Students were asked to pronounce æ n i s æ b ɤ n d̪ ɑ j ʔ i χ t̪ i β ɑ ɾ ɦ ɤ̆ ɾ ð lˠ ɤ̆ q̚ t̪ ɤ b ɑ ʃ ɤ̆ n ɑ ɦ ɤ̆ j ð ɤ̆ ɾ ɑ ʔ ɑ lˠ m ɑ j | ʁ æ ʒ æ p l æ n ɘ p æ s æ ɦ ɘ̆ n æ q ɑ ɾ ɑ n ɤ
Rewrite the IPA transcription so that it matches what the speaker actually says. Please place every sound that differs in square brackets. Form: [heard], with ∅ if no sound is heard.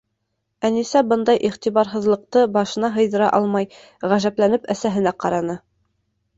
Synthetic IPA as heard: æ n i s æ b ɤ n d̪ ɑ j ʔ i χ t̪ i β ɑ ɾ ɦ ɤ̆ [∅] ð lˠ ɤ̆ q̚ t̪ ɤ b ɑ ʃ ɤ̆ n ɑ ɦ ɤ̆ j ð ɤ̆ ɾ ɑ ʔ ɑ lˠ m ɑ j | ʁ æ ʒ æ p l æ n ɘ p æ s æ ɦ ɘ̆ n æ q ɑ ɾ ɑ n ɤ